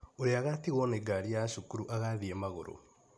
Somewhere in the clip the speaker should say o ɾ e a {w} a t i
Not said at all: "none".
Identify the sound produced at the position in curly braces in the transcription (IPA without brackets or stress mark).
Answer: ɣ